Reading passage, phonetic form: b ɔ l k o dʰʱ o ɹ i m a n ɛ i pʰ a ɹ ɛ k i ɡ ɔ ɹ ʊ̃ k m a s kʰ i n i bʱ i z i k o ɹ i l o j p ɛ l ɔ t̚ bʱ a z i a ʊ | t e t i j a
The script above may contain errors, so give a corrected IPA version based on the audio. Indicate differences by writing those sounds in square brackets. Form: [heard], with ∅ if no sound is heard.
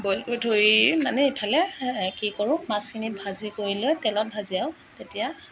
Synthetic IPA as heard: b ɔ l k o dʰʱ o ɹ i m a n ɛ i pʰ a [l] ɛ k i [k] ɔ ɹ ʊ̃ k m a s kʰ i n i bʱ [a] z i k o ɹ i l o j [t] ɛ l ɔ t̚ bʱ a z i a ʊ | t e t i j a